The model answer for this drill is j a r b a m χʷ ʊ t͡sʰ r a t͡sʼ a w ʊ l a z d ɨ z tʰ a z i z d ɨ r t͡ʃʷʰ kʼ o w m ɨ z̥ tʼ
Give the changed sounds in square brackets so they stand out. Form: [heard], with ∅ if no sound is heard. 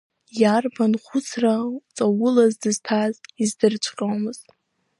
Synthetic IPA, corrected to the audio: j a r b a [n] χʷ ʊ t͡sʰ r a t͡sʼ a w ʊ l a z d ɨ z tʰ a z i z d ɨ r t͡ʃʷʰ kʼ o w m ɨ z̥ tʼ

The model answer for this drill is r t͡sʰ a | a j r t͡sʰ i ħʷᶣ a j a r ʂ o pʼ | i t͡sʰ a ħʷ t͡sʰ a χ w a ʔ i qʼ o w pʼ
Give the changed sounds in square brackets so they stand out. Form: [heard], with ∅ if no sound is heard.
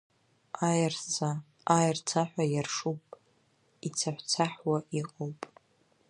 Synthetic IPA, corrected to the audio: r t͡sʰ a | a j r t͡sʰ [a] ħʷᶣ a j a r ʂ [u] pʼ | i t͡sʰ a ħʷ t͡sʰ a [ħ] w a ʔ i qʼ o w pʼ

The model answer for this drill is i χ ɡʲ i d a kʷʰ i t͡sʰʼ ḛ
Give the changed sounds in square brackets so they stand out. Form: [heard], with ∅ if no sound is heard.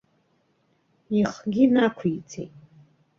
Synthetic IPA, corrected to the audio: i χ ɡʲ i [n] a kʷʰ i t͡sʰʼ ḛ

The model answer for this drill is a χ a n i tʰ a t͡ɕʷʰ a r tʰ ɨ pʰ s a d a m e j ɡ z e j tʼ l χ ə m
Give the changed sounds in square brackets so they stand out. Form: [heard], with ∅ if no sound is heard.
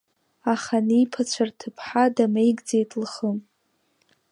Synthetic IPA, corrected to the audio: a χ a n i [pʰ] a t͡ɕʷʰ a r tʰ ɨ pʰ [ħ] a d a m e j ɡ [d͡z] e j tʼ l χ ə m

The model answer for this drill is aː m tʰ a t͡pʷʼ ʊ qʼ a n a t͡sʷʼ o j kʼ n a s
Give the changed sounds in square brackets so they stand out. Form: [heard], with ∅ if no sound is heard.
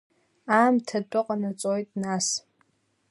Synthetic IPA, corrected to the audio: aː m tʰ a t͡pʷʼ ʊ qʼ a n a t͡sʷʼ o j [tʼ] n a s

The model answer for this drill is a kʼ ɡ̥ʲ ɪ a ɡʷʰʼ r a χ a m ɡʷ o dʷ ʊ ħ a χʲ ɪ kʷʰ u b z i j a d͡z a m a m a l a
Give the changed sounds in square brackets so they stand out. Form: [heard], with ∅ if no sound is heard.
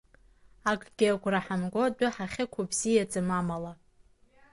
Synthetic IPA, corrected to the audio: a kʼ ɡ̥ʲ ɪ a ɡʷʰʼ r a [ħ] a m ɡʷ o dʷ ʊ ħ a χʲ ɪ kʷʰ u b z i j a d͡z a m a m a l a

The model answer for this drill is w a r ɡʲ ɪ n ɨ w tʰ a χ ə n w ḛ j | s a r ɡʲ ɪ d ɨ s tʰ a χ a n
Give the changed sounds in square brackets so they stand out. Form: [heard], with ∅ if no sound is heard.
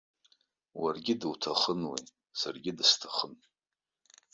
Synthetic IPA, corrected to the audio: w a r ɡʲ ɪ [d] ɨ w tʰ a χ ə n w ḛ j | s a r ɡʲ ɪ d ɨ s tʰ a χ [ə] n

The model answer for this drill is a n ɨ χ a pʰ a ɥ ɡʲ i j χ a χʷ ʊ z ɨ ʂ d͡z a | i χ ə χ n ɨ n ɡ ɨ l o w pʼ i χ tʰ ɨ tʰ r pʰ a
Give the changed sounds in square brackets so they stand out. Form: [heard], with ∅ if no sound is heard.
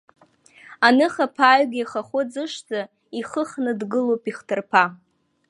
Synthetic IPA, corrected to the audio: a n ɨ χ a pʰ a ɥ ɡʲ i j χ a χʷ ʊ [d͡z] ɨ ʂ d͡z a | i χ ə χ n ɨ [d] ɡ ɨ l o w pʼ i χ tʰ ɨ [∅] r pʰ a

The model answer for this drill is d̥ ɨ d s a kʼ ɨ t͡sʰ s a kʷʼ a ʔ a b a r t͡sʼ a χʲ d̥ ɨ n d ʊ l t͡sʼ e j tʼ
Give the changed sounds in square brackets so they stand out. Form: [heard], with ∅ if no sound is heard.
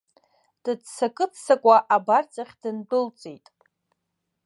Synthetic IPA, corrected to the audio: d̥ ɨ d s a kʼ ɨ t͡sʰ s a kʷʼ a ʔ a b a r t͡sʼ a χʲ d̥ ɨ n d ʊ l t͡sʼ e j tʼ

